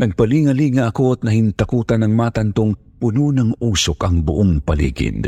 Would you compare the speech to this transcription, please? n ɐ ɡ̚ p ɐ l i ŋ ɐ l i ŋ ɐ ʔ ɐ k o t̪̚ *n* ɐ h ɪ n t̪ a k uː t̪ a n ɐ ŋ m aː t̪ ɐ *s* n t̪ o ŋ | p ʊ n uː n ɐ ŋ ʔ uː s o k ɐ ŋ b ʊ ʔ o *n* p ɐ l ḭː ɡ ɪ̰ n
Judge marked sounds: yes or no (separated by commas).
yes, no, no